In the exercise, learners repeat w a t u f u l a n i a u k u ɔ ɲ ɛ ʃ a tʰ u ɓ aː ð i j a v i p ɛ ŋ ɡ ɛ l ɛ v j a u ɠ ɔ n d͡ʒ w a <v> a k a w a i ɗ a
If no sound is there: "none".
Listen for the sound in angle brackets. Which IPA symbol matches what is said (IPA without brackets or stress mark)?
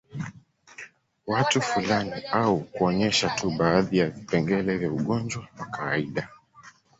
w